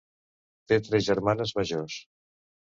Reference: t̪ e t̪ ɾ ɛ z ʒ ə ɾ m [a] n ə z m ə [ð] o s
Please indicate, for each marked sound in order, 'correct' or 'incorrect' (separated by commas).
correct, incorrect